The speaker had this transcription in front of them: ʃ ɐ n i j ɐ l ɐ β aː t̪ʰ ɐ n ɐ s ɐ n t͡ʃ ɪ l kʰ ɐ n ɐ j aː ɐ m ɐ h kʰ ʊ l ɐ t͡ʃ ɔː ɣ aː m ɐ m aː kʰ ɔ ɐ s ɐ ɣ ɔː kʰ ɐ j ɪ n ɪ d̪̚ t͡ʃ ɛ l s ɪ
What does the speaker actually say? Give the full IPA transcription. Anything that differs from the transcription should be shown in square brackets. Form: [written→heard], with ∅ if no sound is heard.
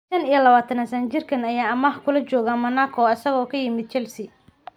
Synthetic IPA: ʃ ɐ n i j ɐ l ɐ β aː t̪ʰ ɐ n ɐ s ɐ n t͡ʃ ɪ [l→r] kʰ ɐ n ɐ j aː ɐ m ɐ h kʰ ʊ l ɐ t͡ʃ ɔː ɣ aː m ɐ [m→n] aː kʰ ɔ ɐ s ɐ ɣ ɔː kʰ ɐ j ɪ [n→m] ɪ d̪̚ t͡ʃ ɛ l s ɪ

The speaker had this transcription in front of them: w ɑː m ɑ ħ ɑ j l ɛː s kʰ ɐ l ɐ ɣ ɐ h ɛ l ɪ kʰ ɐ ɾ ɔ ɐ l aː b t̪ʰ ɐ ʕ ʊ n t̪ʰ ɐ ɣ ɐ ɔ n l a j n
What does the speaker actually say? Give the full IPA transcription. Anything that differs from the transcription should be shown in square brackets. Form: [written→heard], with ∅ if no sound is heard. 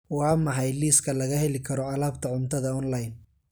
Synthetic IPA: w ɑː m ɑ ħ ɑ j l [ɛː→iː] s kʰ ɐ l ɐ ɣ ɐ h ɛ l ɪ kʰ ɐ ɾ ɔ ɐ l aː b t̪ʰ ɐ ʕ ʊ n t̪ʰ ɐ [ɣ→ð] ɐ ɔ n l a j n

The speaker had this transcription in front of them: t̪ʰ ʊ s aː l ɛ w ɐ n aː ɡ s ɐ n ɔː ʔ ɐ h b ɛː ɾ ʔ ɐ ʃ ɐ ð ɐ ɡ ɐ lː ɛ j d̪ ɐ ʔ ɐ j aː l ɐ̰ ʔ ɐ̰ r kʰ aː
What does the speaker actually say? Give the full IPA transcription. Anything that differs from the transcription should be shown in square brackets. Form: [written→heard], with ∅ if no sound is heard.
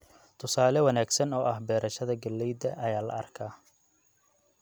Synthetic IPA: t̪ʰ ʊ s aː l ɛ w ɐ n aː ɡ s ɐ n ɔː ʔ ɐ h b ɛː ɾ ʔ ɐ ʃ ɐ ð ɐ ɡ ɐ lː ɛ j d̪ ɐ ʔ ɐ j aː l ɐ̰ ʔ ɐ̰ r kʰ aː

